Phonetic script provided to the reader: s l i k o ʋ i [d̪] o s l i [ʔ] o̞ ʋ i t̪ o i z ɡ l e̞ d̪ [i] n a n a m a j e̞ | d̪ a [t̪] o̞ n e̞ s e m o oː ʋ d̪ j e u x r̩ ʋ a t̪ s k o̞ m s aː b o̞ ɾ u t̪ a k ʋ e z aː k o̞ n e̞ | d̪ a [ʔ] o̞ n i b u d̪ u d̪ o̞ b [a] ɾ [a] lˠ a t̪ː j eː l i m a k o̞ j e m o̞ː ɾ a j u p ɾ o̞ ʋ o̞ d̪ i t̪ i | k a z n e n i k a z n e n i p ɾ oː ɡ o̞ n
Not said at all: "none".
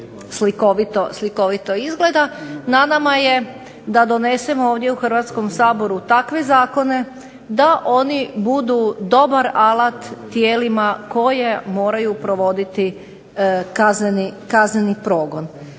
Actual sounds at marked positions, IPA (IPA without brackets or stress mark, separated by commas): t̪, k, a, d̪, ʔ, a, a